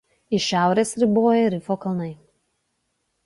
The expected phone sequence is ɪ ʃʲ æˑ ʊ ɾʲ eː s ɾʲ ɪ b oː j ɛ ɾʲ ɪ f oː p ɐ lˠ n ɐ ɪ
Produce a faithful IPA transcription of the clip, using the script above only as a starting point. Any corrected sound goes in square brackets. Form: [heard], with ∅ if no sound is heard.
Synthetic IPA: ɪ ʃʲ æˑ ʊ ɾʲ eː s ɾʲ ɪ b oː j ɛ ɾʲ ɪ f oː [k] ɐ lˠ n ɐ ɪ